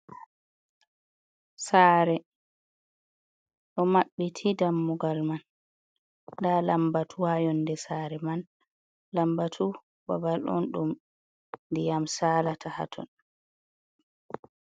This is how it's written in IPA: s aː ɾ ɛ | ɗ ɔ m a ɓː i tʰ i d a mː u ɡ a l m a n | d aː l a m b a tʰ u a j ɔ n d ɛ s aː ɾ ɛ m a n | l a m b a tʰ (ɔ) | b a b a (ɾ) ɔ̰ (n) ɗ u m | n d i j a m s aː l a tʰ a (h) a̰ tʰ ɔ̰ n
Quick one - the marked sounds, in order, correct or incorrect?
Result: incorrect, incorrect, correct, correct

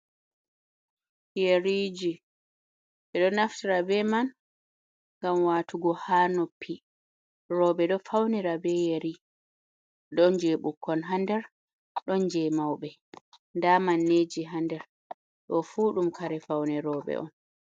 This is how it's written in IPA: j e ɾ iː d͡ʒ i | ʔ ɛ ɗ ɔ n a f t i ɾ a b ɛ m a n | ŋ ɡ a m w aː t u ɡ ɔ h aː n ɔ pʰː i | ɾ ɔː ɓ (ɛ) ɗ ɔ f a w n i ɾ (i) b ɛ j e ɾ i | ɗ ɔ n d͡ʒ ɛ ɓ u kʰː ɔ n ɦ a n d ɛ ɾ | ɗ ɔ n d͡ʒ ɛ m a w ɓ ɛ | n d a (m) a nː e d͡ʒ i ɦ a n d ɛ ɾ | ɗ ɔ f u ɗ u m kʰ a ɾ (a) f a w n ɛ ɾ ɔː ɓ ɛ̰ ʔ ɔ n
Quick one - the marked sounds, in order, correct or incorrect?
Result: correct, incorrect, correct, incorrect

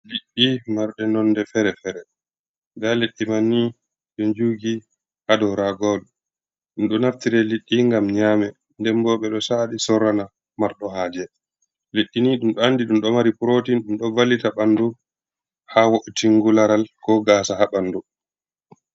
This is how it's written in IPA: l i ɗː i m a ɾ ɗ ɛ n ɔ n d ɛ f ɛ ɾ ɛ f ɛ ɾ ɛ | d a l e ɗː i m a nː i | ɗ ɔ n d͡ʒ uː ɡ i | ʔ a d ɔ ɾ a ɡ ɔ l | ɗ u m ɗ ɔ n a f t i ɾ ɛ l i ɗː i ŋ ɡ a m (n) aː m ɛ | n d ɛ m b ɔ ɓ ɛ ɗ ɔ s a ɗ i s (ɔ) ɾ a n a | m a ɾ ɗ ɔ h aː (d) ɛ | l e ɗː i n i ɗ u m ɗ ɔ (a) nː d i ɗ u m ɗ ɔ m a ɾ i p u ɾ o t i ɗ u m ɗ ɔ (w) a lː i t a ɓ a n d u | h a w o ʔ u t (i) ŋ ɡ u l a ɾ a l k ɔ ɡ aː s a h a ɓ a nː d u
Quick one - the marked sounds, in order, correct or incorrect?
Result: incorrect, correct, incorrect, correct, incorrect, correct

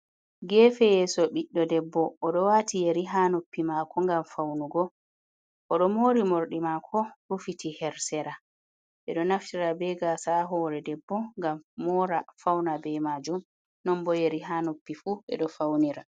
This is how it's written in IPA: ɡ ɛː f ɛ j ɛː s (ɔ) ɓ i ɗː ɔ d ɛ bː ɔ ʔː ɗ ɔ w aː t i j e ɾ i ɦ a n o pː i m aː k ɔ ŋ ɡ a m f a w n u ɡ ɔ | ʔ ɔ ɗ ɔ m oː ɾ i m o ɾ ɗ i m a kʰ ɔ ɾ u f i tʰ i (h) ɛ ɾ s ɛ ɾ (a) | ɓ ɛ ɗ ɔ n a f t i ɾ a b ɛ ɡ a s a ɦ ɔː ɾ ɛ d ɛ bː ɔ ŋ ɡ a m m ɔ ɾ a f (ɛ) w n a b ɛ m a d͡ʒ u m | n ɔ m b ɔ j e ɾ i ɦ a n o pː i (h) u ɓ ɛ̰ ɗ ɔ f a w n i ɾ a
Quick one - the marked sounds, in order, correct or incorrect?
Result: correct, correct, correct, incorrect, incorrect

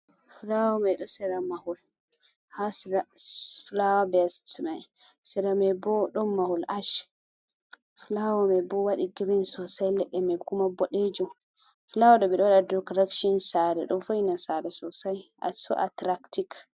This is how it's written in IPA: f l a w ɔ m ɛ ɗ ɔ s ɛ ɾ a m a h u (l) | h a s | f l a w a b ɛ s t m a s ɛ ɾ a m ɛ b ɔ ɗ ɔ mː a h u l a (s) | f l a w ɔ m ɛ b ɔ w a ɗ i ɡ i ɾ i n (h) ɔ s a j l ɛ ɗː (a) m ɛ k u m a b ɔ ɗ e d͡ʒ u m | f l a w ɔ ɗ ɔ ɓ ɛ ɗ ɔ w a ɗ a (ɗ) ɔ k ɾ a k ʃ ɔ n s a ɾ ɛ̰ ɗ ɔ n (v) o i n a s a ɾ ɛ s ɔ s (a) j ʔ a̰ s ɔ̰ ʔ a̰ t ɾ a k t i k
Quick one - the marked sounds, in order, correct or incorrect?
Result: correct, incorrect, incorrect, incorrect, incorrect, incorrect, correct

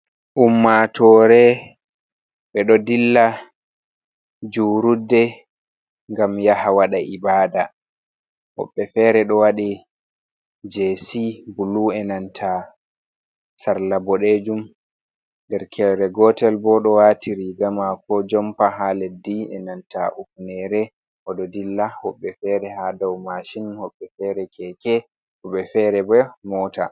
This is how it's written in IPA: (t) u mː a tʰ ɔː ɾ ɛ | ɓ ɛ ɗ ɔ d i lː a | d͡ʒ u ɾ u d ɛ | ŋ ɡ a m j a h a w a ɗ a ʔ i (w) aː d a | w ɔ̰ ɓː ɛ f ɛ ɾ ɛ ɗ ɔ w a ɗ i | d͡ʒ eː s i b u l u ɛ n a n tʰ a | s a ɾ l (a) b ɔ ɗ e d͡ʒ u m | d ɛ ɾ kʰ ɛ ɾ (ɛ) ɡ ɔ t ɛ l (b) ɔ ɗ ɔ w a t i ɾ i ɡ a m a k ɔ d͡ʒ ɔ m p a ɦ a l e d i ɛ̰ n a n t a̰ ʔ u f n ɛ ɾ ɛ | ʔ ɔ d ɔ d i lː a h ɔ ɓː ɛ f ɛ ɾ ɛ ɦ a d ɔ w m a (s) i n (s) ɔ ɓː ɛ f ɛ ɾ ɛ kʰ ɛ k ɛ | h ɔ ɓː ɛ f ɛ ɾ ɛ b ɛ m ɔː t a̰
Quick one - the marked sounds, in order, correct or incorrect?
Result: incorrect, incorrect, correct, correct, correct, incorrect, incorrect

